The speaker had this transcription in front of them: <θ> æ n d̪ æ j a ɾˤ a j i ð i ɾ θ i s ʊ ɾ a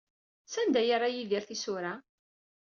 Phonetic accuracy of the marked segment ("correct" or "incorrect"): incorrect